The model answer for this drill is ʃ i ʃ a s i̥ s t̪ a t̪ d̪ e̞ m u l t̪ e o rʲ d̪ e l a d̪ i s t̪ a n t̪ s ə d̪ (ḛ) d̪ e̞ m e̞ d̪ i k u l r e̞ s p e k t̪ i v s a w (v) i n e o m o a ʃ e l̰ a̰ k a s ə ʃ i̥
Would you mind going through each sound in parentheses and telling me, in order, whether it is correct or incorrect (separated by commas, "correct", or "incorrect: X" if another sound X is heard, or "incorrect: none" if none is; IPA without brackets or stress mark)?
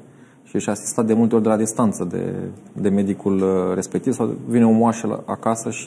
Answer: correct, correct